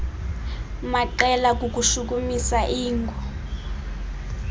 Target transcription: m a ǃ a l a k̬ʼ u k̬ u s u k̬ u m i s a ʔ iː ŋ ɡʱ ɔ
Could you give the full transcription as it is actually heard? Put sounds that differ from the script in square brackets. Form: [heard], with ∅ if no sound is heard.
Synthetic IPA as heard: m a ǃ [ɛ] l a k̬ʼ u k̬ u [ʃ] u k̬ u m i s a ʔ iː ŋ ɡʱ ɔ